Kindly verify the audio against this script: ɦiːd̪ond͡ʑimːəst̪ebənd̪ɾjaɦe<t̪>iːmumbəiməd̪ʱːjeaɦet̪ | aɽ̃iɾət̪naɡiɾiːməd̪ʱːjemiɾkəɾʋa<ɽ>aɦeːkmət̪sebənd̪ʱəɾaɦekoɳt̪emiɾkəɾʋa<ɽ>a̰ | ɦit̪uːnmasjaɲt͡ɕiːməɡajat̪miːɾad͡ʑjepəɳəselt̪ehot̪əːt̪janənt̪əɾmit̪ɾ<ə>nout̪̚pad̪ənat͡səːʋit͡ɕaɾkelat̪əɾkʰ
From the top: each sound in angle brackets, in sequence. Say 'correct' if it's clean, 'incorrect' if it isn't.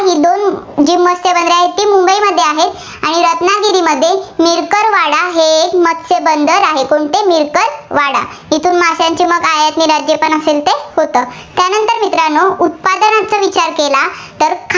correct, correct, correct, incorrect: a

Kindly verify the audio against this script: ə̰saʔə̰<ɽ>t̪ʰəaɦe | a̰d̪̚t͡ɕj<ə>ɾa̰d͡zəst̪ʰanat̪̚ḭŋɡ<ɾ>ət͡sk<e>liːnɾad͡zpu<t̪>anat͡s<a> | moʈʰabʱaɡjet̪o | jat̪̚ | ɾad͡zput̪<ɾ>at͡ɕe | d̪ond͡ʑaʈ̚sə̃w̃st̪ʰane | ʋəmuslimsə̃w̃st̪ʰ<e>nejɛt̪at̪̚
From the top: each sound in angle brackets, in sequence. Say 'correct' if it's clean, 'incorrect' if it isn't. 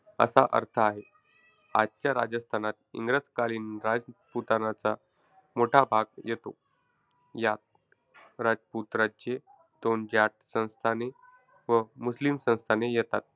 incorrect: ɾ, incorrect: a, correct, incorrect: a, correct, correct, correct, incorrect: a

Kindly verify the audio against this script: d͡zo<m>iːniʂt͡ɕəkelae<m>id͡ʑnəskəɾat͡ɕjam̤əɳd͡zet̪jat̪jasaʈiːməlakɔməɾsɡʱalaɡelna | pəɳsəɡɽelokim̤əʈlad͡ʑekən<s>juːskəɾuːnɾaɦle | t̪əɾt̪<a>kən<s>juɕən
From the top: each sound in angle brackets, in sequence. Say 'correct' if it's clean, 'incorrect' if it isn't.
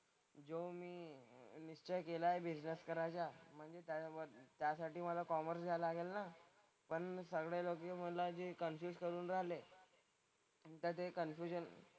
correct, incorrect: b, incorrect: f, incorrect: e, incorrect: f

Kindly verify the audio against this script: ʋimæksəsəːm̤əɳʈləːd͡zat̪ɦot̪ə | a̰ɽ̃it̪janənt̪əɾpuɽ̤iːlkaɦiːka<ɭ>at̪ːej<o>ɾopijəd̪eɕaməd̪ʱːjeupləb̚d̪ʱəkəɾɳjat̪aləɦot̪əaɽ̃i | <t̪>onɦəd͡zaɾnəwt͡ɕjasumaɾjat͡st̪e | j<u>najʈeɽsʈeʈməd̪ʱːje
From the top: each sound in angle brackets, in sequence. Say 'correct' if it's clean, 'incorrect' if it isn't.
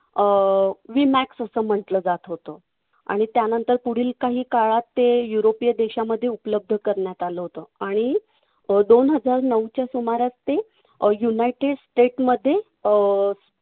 correct, incorrect: u, incorrect: d̪, correct

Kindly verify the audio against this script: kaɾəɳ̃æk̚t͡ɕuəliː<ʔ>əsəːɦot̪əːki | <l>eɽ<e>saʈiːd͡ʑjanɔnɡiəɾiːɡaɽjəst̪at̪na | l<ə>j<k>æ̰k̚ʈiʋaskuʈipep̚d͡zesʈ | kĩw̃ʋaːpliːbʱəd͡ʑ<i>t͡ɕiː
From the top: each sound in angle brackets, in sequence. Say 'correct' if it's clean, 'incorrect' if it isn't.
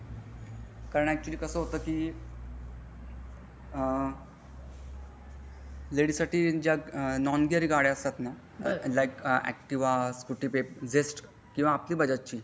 incorrect: k, correct, incorrect: i, incorrect: a, correct, incorrect: a

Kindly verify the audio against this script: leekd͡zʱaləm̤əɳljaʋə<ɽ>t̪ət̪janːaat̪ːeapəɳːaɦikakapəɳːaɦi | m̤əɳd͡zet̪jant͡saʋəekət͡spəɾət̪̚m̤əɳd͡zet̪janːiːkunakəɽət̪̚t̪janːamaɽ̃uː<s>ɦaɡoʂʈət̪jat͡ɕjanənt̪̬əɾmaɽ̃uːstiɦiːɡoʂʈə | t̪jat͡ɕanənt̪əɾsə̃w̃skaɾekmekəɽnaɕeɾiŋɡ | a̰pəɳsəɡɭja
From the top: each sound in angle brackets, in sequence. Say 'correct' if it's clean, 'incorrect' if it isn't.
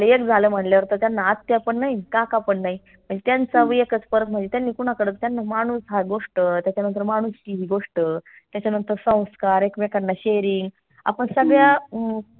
incorrect: ɾ, correct

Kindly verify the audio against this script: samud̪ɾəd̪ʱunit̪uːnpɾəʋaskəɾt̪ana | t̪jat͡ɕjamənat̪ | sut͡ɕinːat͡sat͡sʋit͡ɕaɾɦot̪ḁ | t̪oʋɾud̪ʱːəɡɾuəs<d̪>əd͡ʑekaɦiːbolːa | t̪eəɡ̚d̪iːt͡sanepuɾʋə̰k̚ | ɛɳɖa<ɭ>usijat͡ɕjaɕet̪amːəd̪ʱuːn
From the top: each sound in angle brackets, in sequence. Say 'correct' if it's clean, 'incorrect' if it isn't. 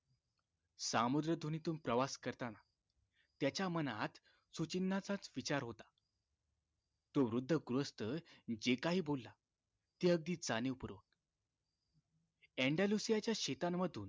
incorrect: t̪, incorrect: l

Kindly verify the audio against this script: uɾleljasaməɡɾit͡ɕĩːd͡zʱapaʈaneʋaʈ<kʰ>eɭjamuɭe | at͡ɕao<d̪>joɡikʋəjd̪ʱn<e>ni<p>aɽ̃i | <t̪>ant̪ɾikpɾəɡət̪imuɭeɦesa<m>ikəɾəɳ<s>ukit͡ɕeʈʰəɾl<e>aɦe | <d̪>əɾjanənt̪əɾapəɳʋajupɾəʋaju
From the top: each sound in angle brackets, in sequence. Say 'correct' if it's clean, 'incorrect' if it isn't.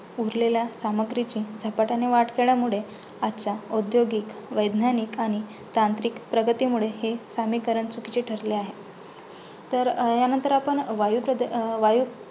incorrect: k, correct, incorrect: a, incorrect: k, correct, correct, incorrect: t͡s, correct, incorrect: t̪

